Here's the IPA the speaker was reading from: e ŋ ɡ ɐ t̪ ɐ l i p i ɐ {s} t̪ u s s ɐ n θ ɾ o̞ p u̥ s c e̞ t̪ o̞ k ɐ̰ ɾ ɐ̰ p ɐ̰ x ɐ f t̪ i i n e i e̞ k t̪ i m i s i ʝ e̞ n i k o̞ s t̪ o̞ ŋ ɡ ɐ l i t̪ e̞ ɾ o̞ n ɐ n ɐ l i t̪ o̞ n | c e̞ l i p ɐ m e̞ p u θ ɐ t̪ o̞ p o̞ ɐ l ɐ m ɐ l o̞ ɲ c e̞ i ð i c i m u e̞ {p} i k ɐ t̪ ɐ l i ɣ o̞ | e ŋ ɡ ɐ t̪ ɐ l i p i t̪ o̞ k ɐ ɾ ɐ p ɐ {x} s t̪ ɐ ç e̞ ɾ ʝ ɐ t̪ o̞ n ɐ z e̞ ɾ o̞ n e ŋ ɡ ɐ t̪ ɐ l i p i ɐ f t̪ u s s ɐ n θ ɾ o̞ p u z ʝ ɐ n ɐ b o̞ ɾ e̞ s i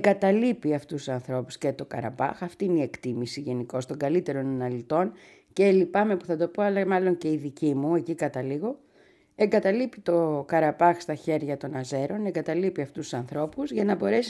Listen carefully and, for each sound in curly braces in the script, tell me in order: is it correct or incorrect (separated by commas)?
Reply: incorrect, incorrect, correct